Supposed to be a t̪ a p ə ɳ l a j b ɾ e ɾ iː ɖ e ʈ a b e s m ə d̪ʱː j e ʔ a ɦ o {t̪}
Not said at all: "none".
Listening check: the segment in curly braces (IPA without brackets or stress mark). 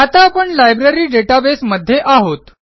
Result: t̪